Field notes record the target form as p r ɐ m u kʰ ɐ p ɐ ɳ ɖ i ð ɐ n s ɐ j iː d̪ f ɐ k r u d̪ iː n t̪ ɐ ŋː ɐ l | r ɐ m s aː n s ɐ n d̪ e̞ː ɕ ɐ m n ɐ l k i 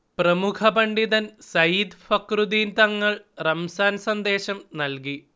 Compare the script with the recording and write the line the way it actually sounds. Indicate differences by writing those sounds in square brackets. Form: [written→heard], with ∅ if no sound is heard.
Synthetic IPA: p r ɐ m u kʰ ɐ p ɐ ɳ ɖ i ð ɐ n s ɐ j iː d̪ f ɐ k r u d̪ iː n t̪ ɐ ŋː ɐ [l→ɭ] | r ɐ m s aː n s ɐ n d̪ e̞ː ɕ ɐ m n ɐ l k i